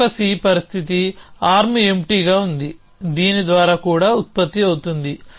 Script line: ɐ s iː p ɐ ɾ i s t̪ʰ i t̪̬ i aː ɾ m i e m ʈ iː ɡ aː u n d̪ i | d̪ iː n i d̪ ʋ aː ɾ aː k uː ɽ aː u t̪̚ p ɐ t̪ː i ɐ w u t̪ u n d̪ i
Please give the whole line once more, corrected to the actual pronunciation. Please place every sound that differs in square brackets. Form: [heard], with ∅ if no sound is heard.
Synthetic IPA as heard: ɐ s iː p ɐ ɾ i s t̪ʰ i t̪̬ i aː ɾ m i e m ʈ iː ɡ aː u n d̪ i | d̪ iː n i d̪ ʋ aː ɾ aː k uː ɽ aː u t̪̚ p ɐ t̪ː i ɐ w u t̪ u n d̪ i